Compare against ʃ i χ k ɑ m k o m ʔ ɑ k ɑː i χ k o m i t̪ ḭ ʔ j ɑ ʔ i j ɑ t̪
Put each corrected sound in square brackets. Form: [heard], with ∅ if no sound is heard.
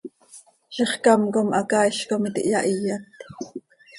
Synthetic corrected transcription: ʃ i χ k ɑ m k o m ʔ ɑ k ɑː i [ʃ] k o m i t̪ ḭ ʔ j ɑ ʔ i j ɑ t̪